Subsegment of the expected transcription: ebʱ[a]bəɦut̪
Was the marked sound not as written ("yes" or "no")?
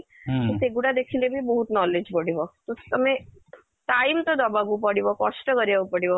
yes